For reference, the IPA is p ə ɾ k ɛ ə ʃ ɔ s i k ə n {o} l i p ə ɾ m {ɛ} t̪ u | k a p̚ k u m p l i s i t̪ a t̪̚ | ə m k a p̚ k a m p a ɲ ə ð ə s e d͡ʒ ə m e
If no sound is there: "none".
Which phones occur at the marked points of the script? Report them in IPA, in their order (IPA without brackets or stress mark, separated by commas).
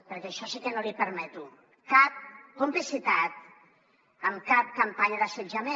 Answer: o, ɛ